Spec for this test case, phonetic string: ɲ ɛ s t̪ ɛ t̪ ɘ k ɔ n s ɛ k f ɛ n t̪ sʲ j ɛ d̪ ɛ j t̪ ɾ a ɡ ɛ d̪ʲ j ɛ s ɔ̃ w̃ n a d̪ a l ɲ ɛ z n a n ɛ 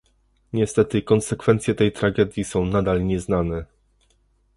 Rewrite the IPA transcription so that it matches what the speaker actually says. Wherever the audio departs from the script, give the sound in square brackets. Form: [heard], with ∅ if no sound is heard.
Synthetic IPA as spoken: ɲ ɛ s t̪ ɛ t̪ ɘ k ɔ n s ɛ k f ɛ n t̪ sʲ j ɛ [t̪] ɛ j t̪ ɾ a ɡ ɛ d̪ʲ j [i] s ɔ̃ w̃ n a d̪ a l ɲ ɛ z n a n ɛ